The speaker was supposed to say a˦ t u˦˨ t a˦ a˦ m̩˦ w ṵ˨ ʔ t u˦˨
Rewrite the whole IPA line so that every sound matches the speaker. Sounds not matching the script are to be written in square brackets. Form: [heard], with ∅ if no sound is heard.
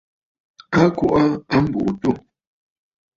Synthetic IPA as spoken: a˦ [k] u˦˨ [ʔ] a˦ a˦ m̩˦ [b] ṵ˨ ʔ t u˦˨